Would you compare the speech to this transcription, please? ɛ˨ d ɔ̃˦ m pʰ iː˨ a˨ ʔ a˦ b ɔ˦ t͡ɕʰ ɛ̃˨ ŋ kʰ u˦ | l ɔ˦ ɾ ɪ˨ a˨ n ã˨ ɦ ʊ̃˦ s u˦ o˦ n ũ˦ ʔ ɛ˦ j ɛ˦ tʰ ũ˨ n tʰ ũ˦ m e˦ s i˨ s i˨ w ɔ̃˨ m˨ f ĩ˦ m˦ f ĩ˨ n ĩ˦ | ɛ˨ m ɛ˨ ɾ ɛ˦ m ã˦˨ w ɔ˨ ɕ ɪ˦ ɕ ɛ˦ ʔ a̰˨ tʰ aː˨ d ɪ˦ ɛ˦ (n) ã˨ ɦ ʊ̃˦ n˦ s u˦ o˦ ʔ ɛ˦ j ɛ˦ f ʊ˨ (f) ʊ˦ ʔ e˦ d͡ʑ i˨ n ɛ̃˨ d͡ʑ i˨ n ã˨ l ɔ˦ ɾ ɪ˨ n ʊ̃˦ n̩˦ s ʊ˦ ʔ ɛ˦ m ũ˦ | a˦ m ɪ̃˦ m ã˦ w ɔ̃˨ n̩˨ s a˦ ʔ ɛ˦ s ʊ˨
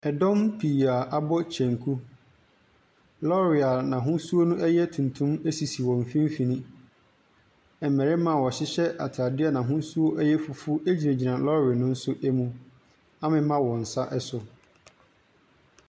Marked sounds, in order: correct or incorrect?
correct, correct

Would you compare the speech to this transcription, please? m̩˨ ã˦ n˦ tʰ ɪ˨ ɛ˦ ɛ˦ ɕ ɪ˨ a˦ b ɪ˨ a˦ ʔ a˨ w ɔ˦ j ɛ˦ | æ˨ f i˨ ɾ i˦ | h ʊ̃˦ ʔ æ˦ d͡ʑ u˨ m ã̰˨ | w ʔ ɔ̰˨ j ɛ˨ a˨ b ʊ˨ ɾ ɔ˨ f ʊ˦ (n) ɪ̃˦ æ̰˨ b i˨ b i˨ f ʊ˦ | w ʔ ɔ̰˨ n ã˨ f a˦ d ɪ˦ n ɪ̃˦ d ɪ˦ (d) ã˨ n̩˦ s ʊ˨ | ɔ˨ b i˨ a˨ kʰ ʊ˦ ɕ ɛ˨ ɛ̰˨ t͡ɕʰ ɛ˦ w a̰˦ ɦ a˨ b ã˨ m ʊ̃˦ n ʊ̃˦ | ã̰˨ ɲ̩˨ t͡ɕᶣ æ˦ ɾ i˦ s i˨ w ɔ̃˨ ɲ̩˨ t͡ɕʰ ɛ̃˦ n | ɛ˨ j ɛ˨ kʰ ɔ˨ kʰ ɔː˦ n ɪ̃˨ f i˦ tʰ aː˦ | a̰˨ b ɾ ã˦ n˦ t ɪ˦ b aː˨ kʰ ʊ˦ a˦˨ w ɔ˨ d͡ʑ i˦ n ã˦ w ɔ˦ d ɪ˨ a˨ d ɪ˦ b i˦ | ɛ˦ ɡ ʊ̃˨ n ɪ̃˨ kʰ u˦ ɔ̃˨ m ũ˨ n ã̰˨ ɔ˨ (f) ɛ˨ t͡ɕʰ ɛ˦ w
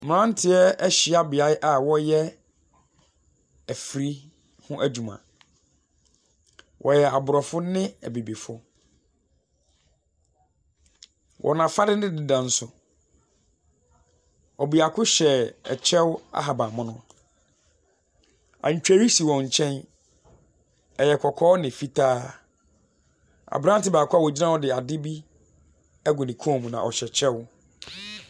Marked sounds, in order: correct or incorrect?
correct, correct, incorrect

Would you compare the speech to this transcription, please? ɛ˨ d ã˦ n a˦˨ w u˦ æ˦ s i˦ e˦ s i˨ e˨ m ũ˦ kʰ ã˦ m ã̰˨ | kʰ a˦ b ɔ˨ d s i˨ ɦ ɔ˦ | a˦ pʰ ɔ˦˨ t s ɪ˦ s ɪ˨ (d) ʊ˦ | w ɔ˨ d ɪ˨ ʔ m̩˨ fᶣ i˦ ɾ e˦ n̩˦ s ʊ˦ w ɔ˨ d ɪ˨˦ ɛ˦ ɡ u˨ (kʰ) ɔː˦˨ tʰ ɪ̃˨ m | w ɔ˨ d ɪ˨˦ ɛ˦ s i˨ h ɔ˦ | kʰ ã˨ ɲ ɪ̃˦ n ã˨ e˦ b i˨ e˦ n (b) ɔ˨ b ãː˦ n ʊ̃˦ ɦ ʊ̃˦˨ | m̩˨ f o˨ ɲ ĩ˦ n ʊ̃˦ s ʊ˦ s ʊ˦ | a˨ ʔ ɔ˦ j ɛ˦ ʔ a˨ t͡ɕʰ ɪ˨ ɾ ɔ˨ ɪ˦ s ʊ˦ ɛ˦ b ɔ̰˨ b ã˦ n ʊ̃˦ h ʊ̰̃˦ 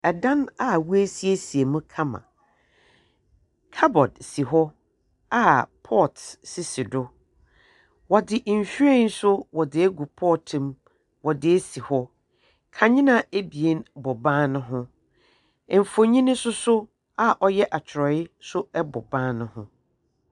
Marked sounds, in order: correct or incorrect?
correct, incorrect, correct

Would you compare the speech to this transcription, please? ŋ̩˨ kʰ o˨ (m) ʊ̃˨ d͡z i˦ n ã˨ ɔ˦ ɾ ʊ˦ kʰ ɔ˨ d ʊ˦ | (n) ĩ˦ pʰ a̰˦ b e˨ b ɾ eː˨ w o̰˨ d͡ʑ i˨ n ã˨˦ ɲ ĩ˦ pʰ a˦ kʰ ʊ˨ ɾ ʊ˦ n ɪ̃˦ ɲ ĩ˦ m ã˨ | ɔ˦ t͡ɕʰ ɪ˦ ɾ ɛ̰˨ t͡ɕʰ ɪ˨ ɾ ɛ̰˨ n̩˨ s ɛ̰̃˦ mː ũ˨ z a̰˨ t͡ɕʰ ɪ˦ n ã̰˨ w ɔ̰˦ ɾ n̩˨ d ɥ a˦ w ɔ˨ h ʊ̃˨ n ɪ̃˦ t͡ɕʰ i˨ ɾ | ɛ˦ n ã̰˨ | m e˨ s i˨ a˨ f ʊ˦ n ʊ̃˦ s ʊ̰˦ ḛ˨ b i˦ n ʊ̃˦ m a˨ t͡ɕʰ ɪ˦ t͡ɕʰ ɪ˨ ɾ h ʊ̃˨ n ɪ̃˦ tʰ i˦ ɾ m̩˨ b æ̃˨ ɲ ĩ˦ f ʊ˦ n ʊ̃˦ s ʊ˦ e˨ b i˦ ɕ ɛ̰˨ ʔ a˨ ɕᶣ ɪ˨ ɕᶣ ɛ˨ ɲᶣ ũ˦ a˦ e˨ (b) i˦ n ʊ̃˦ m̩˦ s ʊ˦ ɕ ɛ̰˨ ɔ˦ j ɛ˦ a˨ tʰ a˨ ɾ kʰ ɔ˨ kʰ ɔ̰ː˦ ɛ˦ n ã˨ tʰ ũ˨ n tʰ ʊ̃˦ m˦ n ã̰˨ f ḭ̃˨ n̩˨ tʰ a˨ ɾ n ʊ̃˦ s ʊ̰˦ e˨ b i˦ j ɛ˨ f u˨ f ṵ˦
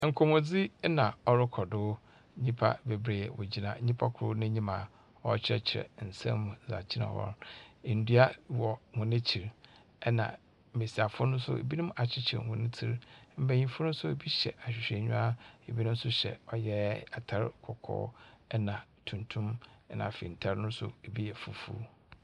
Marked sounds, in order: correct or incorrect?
correct, incorrect, correct

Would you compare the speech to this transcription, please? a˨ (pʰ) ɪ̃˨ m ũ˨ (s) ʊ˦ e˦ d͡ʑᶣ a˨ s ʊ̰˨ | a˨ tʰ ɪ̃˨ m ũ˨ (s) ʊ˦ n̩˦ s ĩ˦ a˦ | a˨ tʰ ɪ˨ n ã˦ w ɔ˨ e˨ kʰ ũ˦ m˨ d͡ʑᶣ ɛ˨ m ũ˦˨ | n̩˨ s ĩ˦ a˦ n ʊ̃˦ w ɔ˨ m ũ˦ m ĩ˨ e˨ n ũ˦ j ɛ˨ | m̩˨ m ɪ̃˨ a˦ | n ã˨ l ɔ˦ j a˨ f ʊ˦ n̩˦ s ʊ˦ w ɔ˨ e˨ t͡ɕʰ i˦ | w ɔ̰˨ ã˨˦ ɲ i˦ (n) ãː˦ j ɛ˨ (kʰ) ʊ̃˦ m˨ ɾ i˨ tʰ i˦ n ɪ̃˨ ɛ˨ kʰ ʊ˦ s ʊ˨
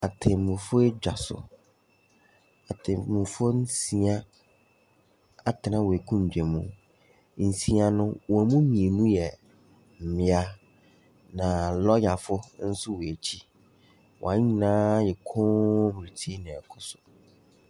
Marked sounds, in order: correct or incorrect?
incorrect, incorrect, incorrect, correct, correct

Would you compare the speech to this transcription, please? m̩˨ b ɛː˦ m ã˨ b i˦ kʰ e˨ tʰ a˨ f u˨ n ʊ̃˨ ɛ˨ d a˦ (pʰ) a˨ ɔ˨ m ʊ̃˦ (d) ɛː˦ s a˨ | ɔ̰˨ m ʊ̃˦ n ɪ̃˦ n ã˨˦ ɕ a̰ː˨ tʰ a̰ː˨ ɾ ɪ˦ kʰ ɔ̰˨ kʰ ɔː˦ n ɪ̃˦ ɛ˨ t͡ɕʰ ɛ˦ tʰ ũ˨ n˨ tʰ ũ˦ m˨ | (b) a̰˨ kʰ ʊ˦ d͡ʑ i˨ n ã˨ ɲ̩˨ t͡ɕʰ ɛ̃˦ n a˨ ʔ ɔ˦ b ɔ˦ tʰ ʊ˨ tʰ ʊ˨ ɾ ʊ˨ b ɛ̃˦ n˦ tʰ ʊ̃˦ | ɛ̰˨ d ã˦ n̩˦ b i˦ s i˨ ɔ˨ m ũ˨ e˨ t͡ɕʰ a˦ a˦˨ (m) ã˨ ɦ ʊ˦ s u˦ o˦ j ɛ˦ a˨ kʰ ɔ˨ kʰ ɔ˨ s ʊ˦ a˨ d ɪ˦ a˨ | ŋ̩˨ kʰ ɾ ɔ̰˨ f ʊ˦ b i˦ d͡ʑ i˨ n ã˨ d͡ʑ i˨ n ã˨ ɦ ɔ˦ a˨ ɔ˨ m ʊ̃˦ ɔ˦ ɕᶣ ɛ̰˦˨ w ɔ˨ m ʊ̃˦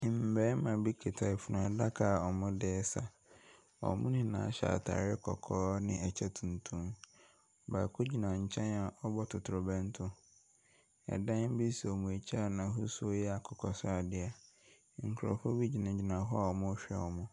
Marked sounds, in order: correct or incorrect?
incorrect, correct, correct, incorrect

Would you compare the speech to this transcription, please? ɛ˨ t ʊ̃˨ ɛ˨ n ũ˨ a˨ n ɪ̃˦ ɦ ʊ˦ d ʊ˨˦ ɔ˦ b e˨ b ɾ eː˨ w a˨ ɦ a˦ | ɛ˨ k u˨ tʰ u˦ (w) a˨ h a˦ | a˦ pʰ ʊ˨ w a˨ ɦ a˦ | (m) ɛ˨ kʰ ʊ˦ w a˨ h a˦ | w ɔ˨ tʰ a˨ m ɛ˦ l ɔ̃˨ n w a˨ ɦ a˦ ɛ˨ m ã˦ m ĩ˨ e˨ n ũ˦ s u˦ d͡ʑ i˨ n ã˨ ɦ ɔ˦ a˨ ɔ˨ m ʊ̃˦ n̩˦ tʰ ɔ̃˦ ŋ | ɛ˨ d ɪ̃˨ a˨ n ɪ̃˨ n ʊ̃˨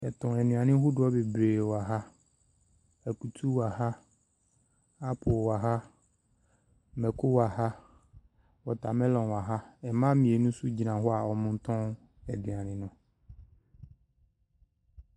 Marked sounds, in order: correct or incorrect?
correct, correct

